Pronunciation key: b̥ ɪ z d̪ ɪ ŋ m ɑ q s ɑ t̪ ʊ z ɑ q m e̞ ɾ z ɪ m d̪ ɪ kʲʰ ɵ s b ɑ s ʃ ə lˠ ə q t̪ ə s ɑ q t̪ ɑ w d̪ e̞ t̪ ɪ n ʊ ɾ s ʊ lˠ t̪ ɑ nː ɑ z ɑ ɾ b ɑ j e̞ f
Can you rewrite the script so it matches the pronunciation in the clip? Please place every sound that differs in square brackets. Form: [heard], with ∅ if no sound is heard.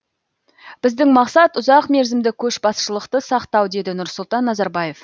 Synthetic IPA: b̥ ɪ z d̪ ɪ ŋ m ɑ q s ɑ t̪ ʊ z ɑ q m e̞ ɾ z ɪ m d̪ ɪ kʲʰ ɵ [ʃ] b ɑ s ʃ ə lˠ ə q t̪ ə s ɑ q t̪ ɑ w d̪ e̞ [d̪] ɪ n ʊ ɾ s ʊ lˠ t̪ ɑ nː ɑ z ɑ ɾ b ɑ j e̞ f